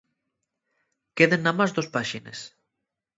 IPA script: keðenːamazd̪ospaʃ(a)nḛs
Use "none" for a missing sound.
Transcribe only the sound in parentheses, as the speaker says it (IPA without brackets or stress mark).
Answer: i